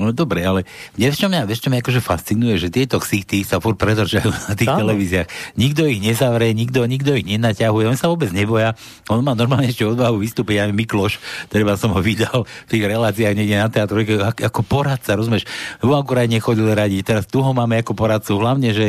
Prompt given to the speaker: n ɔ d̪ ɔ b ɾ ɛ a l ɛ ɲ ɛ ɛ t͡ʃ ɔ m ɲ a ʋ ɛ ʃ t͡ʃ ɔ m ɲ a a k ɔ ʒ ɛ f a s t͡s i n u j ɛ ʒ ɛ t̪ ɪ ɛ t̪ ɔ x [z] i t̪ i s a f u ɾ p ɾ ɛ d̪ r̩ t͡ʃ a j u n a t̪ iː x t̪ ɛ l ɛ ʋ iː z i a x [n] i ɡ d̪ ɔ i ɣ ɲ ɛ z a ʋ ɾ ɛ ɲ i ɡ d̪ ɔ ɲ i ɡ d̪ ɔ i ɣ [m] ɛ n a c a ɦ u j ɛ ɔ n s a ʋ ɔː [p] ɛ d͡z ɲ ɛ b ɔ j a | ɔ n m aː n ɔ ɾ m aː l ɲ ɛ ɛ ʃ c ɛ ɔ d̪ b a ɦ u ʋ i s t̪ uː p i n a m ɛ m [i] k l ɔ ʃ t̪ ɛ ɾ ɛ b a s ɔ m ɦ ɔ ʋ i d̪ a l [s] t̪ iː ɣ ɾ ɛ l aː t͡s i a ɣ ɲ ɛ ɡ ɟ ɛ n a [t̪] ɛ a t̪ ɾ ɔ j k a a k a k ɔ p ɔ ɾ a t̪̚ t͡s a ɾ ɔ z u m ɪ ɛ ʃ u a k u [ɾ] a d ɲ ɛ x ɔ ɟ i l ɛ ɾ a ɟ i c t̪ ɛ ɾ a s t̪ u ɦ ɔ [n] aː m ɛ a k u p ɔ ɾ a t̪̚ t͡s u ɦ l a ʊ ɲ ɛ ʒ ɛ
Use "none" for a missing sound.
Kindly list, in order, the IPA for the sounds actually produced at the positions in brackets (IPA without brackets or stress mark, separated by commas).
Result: s, ɲ, ɲ, b, i, f, t̪, ɾ, m